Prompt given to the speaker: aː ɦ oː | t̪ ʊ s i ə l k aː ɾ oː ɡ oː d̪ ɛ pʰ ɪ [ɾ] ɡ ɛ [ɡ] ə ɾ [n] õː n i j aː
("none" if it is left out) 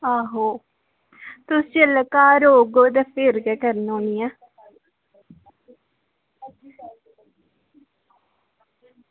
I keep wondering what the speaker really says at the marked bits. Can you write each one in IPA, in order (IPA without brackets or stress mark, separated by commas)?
ɾ, k, n